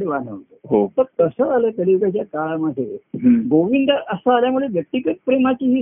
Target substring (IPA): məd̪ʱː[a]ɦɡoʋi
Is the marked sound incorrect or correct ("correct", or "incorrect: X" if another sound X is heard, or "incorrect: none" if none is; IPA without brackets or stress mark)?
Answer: incorrect: e